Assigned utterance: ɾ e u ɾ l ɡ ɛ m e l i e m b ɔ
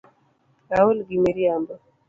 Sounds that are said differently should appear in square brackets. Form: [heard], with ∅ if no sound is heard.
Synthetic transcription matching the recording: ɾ [a] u [∅] l ɡ [i] m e [ɾ] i [a] m b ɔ